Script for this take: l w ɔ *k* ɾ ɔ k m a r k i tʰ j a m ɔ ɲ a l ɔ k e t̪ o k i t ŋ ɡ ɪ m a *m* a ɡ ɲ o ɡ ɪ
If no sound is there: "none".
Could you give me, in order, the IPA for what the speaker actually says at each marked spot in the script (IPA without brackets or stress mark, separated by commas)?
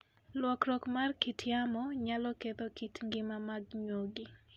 k, m